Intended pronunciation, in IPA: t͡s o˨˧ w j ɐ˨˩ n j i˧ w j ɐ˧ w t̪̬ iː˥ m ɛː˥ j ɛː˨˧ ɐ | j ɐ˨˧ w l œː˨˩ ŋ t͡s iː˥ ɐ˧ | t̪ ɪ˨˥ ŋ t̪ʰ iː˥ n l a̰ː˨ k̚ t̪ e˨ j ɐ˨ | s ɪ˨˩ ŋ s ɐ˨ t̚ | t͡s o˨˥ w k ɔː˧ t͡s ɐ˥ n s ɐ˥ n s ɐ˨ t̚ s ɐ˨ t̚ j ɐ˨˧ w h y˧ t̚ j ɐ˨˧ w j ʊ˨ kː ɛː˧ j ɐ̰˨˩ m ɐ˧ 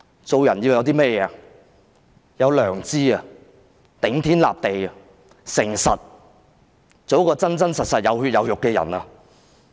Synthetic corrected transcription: t͡s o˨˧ w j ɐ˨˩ n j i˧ w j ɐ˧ w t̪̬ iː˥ m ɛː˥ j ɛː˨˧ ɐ | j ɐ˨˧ w l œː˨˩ ŋ t͡s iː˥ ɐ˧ | t̪ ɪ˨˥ ŋ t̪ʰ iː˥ n l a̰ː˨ p̚ t̪ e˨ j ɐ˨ | s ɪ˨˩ ŋ s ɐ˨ t̚ | t͡s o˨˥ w k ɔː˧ t͡s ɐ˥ n t͡s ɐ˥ n s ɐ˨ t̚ s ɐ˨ t̚ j ɐ˨˧ w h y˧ t̚ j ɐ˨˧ w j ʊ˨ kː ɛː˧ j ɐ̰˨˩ n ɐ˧